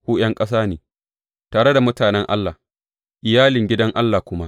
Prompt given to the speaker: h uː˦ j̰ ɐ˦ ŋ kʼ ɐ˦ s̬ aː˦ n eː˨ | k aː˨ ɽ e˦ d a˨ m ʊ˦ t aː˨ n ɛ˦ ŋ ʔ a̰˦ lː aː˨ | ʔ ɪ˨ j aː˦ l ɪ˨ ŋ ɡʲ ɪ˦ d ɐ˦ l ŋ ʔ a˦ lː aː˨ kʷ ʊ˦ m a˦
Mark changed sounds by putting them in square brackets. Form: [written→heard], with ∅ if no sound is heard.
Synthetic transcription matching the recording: h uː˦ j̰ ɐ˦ ŋ kʼ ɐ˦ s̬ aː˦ n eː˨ | [k→t] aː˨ ɽ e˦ d a˨ m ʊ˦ t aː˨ n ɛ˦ ŋ ʔ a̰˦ lː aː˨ | ʔ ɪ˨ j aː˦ l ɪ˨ ŋ ɡʲ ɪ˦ d ɐ˦ [l→∅] ŋ ʔ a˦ lː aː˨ kʷ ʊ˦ m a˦